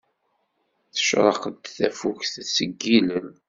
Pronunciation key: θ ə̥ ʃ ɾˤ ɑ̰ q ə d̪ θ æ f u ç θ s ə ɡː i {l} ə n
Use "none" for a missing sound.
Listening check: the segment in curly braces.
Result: l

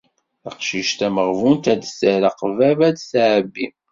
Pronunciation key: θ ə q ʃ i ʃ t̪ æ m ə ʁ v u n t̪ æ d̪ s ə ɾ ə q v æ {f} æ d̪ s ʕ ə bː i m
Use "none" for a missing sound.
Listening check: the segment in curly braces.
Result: v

